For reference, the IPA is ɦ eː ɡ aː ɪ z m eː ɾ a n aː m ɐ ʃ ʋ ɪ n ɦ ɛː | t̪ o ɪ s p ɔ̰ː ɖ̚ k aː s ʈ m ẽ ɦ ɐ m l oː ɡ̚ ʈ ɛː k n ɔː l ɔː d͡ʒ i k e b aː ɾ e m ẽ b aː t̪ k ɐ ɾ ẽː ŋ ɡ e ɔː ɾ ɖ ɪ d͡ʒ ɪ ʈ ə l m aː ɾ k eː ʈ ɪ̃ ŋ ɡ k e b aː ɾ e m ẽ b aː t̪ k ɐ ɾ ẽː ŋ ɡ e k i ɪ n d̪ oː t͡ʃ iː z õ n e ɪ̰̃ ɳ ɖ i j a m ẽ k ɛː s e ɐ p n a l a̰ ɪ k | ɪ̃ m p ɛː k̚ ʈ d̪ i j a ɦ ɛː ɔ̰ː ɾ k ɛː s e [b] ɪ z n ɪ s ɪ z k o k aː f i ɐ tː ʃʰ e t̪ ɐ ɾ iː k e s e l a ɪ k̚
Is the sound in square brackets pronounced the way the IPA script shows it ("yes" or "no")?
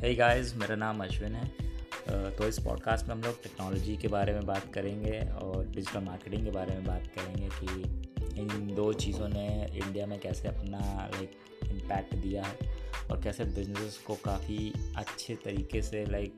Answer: yes